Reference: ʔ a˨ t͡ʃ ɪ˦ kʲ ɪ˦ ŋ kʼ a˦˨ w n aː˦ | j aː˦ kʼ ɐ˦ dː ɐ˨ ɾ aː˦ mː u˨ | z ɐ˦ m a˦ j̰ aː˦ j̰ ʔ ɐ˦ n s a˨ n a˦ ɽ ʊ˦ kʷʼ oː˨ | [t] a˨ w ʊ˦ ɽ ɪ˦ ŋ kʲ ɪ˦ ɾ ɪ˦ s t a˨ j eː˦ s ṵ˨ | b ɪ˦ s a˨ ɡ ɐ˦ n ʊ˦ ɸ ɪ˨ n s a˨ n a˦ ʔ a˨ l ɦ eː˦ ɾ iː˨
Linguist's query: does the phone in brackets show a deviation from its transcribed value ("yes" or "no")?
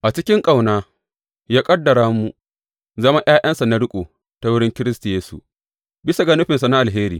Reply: no